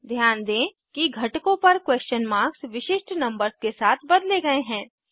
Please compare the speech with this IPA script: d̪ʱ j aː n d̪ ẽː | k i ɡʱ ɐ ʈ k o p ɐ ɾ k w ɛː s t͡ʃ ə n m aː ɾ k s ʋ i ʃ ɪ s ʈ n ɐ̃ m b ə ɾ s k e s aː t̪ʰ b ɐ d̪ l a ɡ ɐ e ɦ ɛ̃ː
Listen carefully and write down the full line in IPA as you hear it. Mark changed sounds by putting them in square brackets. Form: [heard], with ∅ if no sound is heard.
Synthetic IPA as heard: d̪ʱ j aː n d̪ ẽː | k i ɡʱ ɐ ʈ k [õ] p ɐ ɾ k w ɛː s t͡ʃ ə n m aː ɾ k s ʋ [ɪ] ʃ ɪ [ʃ] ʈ n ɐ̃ m b ə ɾ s k e s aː t̪ʰ b ɐ d̪ l [e] ɡ ɐ e ɦ ɛ̃ː